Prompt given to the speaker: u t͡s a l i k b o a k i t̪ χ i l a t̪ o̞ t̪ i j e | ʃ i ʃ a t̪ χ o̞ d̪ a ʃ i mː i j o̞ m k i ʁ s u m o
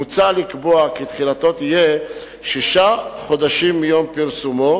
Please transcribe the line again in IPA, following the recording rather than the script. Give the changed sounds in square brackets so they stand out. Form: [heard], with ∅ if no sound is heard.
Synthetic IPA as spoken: u t͡s a l i k b o a k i t̪ χ i l a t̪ o̞ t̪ i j e | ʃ i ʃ a [∅] χ o̞ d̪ a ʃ i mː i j o̞ m [p] i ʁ s u m o

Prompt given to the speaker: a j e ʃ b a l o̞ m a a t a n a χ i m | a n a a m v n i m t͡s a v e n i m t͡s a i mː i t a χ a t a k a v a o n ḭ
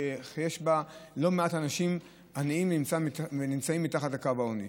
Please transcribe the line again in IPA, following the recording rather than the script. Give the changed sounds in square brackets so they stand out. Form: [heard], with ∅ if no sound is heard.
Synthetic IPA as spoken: [e] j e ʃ b a l o̞ m [e] a t a n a [ʃ] i m | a n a [i] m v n i m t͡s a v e n i m t͡s a i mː i t a χ a t a k a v a o n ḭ

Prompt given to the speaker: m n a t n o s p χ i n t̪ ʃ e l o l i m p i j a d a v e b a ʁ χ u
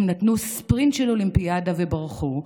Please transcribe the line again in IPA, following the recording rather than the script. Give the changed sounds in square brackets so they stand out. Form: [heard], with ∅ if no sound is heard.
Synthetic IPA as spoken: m n a t n [u] s p [ʁ] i n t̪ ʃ e l o l i m p i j a d a v e b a ʁ χ u

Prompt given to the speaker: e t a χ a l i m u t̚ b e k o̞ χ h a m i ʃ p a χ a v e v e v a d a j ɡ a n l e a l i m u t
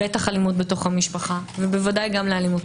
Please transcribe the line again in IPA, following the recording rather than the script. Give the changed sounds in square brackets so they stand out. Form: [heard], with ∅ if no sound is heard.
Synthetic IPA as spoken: e t a χ a l i m u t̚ b e [t] o̞ χ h a m i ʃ p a χ a v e [b] e v a d a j ɡ a [m] l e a l i m u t

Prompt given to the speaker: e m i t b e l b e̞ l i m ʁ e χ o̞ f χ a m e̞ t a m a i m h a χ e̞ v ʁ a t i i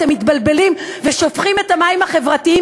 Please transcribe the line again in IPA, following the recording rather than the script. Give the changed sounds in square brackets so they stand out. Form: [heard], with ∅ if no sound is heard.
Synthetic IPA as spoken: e m i t b [a] l b e̞ l i m [v] e [ʃ] o̞ f χ [i] m e̞ t a m a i m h a χ e̞ v ʁ a t i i

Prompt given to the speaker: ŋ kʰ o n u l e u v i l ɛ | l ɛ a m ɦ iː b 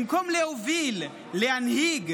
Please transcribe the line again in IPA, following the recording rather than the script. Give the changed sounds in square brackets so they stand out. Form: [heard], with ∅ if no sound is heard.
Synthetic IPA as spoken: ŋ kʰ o [m] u l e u v i l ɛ | l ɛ a [n] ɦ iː [ɡ]

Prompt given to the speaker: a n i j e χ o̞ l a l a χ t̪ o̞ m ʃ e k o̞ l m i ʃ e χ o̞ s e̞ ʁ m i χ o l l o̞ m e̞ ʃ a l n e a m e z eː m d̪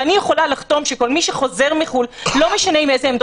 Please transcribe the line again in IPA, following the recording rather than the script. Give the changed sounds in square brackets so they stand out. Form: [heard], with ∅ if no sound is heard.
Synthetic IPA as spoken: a n i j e χ o̞ l a l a χ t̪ o̞ m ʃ e k o̞ l m i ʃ e χ o̞ [z] e̞ ʁ m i χ [u] l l o̞ m e̞ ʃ a [∅] n e [i] m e z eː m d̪

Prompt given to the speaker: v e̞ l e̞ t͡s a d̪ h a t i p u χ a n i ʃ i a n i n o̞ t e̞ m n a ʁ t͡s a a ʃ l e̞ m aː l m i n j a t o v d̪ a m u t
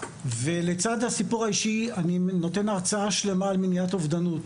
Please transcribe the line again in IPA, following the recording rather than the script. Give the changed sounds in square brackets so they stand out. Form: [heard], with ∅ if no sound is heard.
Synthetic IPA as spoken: v e̞ l e̞ t͡s a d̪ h a [s] i p u [ʁ] a [∅] i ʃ i a n i n o̞ t e̞ [∅] n a ʁ t͡s a a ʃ l e̞ m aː l m i n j a t o v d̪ a [n] u t

